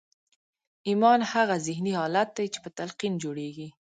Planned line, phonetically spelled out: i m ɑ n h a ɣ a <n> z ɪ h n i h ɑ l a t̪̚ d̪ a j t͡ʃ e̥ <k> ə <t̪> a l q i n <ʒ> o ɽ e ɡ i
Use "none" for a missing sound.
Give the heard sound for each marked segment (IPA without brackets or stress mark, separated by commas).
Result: none, p, t̪, d͡ʒ